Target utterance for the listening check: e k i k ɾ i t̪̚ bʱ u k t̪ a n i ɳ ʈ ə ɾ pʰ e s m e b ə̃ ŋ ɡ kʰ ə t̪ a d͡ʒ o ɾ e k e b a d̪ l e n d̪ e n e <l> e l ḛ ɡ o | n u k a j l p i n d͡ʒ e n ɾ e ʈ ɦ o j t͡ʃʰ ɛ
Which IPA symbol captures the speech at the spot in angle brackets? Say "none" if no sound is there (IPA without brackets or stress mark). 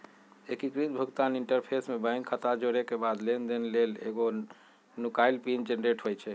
l